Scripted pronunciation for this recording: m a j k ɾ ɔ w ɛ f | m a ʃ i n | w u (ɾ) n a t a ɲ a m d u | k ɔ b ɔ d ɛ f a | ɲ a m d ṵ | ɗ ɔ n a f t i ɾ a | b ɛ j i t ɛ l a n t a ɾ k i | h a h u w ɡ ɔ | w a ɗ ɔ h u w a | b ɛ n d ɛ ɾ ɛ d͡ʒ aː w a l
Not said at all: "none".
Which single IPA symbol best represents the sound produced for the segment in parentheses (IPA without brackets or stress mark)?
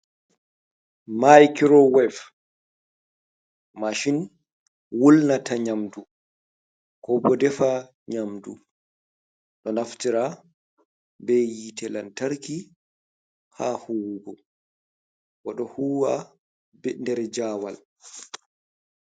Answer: l